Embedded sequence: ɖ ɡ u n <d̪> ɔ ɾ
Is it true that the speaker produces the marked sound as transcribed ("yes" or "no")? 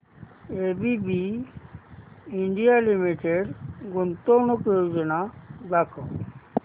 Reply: no